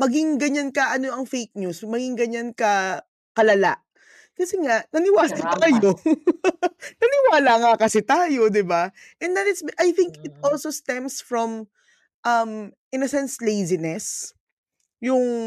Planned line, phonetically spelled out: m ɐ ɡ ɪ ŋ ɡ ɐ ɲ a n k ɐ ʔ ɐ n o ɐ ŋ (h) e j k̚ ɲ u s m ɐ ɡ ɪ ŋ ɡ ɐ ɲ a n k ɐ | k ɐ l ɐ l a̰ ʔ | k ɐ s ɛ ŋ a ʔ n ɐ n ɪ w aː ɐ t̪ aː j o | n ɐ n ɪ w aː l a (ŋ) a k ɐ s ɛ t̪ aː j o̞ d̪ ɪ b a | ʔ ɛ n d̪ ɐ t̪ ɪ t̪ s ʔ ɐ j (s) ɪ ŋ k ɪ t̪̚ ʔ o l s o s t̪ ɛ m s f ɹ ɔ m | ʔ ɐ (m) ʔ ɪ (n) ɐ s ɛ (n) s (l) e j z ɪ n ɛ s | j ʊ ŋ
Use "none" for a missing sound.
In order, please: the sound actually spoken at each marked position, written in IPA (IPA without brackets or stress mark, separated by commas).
f, ŋ, θ, m, n, n, l